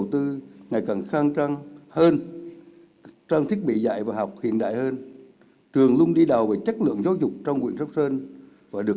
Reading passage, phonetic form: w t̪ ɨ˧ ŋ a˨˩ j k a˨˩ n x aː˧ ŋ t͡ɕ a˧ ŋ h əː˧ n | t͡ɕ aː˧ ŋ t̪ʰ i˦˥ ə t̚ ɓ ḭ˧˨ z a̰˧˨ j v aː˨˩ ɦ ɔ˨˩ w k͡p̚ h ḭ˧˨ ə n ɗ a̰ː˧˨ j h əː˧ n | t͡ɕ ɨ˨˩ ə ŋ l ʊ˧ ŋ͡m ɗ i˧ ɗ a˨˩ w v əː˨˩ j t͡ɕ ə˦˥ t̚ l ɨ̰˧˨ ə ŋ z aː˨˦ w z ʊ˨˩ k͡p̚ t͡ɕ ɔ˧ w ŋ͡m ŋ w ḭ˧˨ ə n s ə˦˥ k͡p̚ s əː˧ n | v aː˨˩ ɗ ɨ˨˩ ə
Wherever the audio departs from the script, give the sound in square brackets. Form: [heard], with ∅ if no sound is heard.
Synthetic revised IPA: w t̪ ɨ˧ ŋ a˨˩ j k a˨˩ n x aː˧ ŋ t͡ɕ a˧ ŋ h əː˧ n | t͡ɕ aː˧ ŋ t̪ʰ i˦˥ ə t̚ ɓ ḭ˧˨ z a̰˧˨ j v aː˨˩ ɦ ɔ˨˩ w k͡p̚ h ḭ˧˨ ə n ɗ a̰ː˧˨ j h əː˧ n | t͡ɕ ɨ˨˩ ə ŋ l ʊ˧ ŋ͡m ɗ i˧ ɗ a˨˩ w v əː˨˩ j t͡ɕ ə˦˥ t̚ l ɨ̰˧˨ ə ŋ z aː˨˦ w z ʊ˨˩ k͡p̚ t͡ɕ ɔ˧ w ŋ͡m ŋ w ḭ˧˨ ə n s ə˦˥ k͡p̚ s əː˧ n | v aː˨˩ ɗ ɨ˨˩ ə